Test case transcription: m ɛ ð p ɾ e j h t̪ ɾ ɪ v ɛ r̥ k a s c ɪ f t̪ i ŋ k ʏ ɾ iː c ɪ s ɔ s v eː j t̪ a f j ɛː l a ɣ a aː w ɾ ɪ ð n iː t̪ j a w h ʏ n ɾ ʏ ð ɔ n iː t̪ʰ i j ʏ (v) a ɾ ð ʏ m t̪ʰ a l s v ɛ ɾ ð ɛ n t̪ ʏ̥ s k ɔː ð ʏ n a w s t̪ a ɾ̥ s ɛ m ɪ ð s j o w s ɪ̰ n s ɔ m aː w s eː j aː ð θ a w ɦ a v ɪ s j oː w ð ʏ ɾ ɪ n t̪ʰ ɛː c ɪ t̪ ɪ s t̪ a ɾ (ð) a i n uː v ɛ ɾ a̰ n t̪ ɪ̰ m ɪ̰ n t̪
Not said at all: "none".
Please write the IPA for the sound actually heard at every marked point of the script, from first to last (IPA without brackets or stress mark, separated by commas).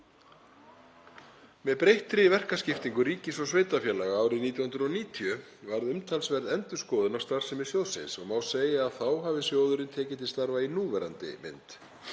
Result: v, v